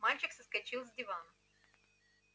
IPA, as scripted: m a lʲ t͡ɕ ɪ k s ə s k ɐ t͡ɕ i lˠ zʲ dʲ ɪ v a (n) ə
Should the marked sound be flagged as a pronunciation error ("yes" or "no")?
no